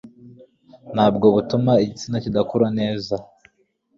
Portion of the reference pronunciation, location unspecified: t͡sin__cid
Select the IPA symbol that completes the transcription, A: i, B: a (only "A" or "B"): B